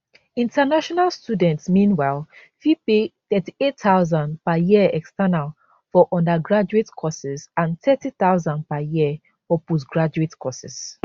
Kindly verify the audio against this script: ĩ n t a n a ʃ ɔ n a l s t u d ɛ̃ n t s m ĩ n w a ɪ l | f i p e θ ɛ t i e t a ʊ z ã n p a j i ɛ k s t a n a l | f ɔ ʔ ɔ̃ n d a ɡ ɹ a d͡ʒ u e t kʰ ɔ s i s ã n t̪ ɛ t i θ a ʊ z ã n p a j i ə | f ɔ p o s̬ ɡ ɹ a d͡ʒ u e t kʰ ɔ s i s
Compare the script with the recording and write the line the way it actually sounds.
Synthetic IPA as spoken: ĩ n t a n a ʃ ɔ n a l s t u d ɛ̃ n t s m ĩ n w a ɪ l | f i p e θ ɛ t i e t a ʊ z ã n p a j i ɛ k s t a n a l | f ɔ ʔ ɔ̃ n d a ɡ ɹ a d͡ʒ u e t kʰ ɔ s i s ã n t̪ ɛ t i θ a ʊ z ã n p a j i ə | f ɔ p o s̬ ɡ ɹ a d͡ʒ u e t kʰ ɔ s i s